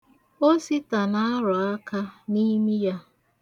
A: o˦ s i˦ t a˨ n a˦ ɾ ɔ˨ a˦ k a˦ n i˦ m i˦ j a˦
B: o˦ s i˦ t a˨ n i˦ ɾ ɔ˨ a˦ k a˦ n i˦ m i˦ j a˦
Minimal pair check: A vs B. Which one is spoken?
A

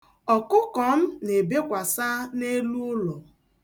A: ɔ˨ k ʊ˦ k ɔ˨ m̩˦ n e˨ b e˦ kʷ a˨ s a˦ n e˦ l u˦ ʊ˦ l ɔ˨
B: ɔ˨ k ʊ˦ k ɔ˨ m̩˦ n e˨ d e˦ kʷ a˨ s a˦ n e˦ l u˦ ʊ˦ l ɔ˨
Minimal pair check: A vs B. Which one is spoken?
A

